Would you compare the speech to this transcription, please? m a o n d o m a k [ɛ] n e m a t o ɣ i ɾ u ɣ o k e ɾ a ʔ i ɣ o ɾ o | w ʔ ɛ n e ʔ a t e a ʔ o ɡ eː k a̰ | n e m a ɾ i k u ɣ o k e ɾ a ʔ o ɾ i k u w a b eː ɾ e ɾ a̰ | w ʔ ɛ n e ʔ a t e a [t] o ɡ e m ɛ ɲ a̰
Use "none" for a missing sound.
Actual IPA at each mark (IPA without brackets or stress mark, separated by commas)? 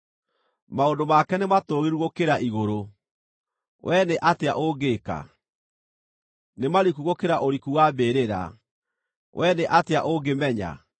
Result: ɛ, ʔ